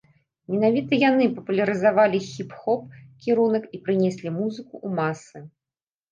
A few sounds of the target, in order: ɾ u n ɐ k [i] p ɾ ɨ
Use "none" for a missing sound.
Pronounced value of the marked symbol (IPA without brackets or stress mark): i